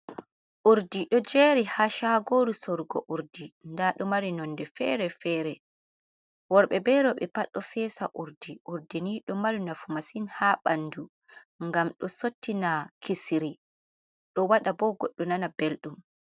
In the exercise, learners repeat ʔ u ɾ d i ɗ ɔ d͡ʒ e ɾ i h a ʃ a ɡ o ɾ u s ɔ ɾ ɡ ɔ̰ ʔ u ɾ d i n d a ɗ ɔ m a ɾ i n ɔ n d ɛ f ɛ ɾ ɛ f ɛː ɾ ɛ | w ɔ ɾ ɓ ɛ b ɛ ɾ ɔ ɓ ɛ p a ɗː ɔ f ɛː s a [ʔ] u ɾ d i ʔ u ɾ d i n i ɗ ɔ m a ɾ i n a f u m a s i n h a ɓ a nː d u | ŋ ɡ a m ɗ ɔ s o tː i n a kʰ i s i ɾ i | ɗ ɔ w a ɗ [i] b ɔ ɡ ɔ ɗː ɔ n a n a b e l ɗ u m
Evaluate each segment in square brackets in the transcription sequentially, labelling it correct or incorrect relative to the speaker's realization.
correct, incorrect

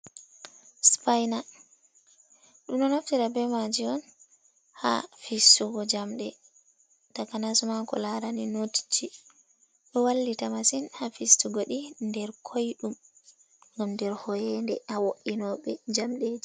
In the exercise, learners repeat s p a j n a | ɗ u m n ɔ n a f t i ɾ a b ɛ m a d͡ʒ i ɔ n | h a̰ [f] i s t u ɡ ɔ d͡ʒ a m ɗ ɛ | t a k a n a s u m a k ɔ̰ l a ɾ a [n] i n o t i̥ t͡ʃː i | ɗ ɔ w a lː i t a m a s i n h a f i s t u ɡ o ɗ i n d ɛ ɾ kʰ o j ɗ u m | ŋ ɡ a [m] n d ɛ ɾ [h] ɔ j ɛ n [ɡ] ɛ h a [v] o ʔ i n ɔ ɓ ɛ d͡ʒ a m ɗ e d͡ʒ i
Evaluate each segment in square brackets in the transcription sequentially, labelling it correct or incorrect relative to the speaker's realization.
correct, correct, correct, correct, incorrect, incorrect

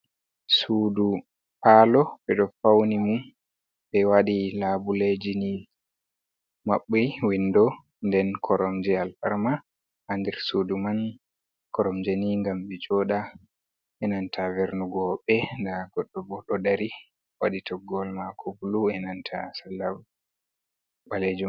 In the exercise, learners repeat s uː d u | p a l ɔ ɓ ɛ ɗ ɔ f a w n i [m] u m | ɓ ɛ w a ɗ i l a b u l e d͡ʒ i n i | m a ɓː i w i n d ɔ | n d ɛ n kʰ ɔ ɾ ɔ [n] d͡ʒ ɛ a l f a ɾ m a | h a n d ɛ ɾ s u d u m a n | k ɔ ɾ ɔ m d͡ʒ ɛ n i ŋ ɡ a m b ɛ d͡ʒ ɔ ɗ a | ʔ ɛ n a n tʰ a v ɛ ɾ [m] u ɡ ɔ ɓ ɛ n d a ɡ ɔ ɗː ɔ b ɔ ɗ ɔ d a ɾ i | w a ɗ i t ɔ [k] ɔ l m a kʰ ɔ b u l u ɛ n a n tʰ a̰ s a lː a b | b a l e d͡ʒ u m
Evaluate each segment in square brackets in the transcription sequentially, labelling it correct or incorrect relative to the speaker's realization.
correct, incorrect, incorrect, incorrect

